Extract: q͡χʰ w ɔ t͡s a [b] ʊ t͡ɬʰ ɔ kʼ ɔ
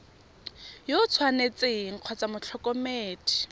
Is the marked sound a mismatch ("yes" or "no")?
yes